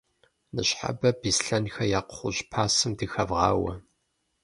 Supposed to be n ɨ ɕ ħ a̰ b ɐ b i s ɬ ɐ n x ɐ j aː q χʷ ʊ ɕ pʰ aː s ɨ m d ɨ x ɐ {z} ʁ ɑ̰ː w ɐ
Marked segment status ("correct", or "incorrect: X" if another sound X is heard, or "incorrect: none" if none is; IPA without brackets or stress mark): incorrect: v